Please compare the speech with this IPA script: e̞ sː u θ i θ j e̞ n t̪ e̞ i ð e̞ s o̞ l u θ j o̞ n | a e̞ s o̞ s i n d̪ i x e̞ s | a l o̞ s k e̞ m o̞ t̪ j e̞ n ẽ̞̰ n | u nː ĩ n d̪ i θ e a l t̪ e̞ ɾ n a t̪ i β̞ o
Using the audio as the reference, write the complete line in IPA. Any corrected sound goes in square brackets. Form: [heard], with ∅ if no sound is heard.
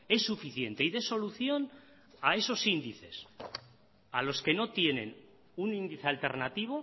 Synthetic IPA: e̞ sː u [f] i θ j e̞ n t̪ e̞ i ð e̞ s o̞ l u θ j o̞ n | a e̞ s o̞ s i n d̪ i [θ] e̞ s | a l o̞ s k e̞ [n] o̞ t̪ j e̞ n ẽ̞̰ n | u [n] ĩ n d̪ i θ e a l t̪ e̞ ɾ n a t̪ i β̞ o